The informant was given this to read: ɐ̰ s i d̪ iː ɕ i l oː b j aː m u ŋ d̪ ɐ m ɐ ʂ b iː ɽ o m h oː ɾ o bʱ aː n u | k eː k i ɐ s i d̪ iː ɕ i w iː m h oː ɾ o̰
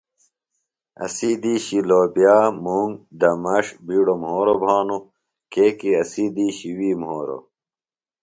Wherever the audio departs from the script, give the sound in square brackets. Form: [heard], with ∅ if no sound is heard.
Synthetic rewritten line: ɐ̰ s i d̪ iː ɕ i l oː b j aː m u ŋ d̪ ɐ m ɐ ʂ b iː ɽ o m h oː ɾ o bʱ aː n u | k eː k i ɐ s i d̪ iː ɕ i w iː m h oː ɾ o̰